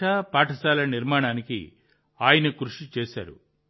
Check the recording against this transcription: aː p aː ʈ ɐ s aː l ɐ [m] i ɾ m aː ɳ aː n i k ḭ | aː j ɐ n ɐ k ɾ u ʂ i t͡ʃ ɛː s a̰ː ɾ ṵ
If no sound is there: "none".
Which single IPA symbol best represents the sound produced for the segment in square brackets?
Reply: n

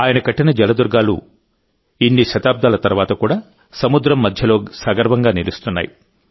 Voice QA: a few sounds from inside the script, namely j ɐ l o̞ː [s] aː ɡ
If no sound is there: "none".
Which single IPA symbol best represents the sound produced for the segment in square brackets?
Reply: s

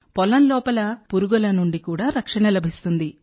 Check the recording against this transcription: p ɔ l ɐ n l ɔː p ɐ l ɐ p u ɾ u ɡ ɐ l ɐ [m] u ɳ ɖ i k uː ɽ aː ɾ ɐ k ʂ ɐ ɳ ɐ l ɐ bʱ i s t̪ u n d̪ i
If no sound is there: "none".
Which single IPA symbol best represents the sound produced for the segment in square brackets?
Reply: n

